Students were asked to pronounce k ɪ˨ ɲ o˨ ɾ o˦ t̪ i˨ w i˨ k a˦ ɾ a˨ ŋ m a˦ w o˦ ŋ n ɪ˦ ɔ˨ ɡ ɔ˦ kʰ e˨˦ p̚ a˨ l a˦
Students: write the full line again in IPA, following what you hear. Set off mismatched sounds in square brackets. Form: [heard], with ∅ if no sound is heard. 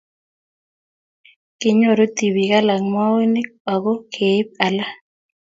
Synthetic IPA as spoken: k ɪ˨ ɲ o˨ ɾ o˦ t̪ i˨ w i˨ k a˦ [l] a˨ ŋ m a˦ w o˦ [∅] n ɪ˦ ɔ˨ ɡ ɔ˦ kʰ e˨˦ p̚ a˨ l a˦